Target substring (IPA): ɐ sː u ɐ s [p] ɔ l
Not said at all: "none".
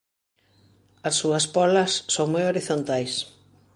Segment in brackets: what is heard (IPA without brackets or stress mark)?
p